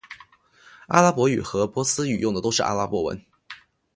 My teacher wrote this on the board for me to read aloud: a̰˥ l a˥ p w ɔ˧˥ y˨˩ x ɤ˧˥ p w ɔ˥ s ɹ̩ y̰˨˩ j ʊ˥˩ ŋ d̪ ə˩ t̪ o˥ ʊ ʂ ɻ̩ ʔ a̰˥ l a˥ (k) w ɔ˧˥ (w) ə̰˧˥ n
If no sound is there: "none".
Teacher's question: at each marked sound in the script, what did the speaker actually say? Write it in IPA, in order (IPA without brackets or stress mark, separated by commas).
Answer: p, w